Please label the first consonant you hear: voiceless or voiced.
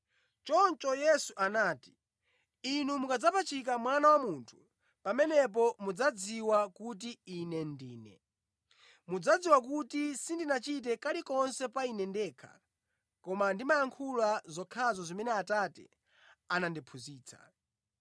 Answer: voiceless